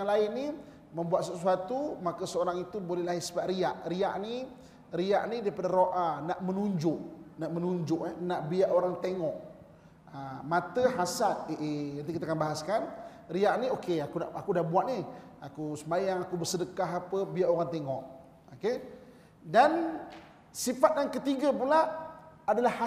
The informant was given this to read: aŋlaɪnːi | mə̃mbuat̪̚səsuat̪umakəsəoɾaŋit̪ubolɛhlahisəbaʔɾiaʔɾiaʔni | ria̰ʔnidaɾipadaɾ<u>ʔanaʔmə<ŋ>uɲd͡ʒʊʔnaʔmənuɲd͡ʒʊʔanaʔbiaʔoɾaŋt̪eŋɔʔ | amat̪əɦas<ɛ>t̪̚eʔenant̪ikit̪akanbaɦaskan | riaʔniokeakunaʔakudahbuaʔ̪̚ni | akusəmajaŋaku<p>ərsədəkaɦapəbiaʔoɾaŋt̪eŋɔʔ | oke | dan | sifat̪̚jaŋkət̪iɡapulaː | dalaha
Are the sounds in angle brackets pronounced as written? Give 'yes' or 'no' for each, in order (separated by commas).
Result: no, no, no, no